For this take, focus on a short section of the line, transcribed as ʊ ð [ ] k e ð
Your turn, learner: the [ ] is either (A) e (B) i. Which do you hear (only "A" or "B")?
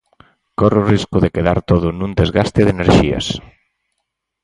A